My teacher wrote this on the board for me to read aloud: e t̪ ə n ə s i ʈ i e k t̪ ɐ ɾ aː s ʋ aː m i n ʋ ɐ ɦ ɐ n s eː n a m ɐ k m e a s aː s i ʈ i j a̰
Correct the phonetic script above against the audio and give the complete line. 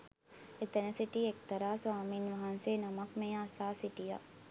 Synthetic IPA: e t̪ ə n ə s i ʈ i e k t̪ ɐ ɾ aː s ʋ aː m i n ʋ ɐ ɦ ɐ n s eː n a m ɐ k m e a s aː s i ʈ i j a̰